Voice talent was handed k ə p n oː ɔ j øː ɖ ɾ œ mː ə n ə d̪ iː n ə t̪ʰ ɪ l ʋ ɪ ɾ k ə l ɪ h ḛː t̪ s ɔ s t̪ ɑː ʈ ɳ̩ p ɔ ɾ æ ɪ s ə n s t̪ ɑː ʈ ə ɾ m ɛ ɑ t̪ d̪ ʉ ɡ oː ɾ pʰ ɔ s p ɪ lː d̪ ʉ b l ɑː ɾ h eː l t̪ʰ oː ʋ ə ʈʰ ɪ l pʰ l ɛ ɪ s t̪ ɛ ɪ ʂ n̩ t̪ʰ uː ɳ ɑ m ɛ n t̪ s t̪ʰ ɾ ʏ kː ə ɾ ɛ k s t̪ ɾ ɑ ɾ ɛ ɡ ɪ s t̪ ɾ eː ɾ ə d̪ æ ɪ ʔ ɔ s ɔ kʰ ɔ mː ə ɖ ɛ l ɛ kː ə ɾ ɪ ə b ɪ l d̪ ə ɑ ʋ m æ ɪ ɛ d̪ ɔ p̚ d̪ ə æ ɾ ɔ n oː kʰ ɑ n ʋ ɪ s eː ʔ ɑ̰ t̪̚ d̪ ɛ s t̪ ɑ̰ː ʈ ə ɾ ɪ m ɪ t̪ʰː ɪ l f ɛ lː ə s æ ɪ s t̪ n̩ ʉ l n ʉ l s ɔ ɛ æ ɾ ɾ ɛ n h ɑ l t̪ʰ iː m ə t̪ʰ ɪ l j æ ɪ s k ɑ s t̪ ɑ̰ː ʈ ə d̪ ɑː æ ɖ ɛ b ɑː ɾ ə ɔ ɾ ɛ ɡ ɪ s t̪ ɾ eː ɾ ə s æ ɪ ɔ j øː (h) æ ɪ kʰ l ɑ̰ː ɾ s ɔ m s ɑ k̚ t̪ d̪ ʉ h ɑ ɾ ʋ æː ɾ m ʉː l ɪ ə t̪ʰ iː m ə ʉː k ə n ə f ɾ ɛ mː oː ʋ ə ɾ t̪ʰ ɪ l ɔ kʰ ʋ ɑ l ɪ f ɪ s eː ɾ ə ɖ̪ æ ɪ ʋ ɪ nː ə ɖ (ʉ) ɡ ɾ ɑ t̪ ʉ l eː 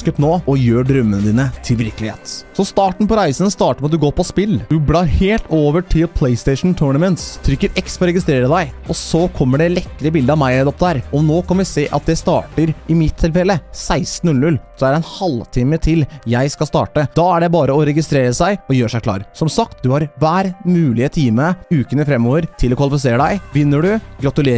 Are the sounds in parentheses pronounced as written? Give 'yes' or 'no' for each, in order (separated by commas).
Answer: no, yes